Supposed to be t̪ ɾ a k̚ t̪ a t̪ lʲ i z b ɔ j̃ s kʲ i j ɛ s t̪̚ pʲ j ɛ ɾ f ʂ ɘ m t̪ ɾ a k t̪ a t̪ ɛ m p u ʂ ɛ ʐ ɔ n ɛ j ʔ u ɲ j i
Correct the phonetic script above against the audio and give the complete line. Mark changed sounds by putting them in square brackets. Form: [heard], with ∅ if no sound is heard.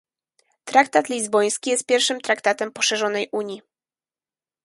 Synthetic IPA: t̪ ɾ a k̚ t̪ a t̪ lʲ i z b ɔ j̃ s kʲ i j ɛ s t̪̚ pʲ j ɛ ɾ f ʂ ɘ m t̪ ɾ a k t̪ a t̪ ɛ m p [ɔ] ʂ ɛ ʐ ɔ n ɛ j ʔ u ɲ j i